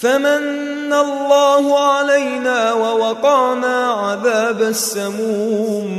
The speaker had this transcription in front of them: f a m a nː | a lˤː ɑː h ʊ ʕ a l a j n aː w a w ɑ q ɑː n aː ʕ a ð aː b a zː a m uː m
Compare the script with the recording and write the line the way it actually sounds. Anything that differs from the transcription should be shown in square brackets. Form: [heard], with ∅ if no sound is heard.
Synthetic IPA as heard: f a m a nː | a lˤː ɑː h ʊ ʕ a l a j n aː w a w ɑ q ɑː n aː ʕ a ð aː b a [sː] a m uː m